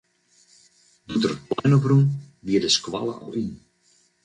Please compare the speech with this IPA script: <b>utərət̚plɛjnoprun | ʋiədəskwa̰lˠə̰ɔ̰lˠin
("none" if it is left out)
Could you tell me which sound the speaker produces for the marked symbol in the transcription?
d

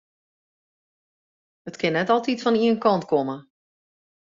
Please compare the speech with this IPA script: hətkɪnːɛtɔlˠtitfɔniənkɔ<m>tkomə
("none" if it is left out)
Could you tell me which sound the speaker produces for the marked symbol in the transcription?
n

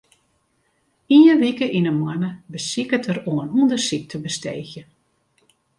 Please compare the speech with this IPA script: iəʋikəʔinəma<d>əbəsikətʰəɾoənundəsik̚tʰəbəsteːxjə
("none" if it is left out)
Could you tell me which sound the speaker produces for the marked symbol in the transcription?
n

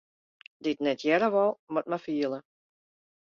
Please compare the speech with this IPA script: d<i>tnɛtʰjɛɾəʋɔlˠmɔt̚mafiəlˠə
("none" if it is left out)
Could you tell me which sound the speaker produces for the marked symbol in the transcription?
ɪ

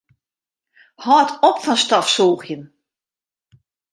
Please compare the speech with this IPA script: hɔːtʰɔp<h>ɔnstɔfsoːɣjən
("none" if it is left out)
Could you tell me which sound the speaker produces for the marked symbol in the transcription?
f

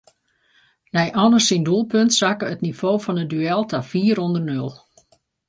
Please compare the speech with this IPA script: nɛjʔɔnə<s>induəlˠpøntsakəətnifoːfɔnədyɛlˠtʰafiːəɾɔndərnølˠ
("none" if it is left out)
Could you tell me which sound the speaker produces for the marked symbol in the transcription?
s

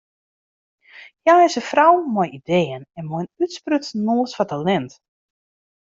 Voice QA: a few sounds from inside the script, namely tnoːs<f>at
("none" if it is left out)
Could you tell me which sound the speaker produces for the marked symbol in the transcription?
f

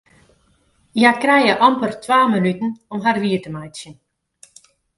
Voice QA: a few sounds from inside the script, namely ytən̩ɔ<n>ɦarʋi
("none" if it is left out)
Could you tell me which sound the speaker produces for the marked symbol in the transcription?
m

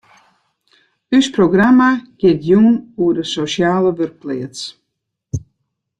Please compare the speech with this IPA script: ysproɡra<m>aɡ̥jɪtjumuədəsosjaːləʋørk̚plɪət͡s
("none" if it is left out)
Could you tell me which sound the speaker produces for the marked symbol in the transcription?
m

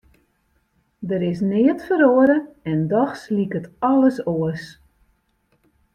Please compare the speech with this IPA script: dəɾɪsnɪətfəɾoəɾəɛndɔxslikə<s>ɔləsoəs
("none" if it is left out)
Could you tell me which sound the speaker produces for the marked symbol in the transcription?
t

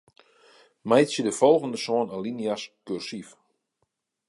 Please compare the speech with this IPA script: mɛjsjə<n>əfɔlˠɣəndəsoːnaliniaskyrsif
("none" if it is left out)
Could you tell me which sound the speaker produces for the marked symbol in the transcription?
d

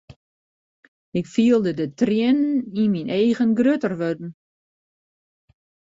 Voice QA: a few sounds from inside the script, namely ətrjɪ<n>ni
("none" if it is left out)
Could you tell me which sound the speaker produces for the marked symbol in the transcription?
n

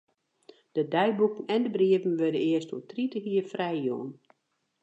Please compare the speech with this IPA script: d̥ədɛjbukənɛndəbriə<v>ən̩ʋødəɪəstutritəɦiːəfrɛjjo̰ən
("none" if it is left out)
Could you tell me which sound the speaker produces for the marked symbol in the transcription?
v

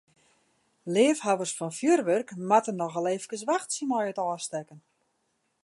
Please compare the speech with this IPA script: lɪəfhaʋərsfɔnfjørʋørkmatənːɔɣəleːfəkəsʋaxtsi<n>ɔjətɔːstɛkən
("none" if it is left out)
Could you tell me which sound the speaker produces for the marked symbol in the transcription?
m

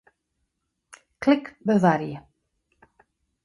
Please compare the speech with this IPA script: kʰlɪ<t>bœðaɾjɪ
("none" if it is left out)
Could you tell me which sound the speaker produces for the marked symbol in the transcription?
k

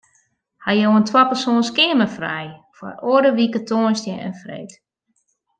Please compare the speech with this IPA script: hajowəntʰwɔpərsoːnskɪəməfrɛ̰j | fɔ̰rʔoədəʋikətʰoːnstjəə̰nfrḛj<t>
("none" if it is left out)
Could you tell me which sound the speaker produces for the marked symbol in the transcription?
t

